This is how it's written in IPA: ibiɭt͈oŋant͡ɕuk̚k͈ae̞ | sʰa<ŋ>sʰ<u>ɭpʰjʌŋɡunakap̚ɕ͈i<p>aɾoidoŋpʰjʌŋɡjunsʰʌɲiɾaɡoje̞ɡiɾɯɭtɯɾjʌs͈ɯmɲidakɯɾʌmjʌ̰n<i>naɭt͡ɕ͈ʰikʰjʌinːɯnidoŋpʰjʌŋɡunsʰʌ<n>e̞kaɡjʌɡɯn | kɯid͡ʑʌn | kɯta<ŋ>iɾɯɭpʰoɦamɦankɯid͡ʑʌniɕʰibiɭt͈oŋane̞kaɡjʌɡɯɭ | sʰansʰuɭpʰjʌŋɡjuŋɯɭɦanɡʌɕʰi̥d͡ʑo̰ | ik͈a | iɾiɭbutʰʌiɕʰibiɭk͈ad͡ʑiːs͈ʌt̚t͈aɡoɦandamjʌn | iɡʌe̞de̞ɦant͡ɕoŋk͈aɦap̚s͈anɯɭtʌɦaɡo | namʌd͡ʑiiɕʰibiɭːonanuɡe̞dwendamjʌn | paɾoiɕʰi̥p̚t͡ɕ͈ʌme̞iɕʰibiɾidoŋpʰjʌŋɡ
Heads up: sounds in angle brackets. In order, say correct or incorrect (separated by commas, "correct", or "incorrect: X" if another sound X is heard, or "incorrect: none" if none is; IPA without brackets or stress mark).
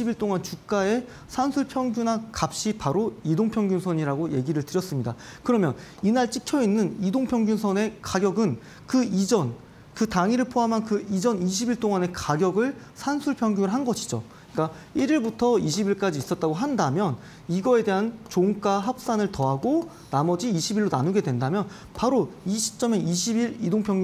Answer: incorrect: n, correct, correct, correct, correct, correct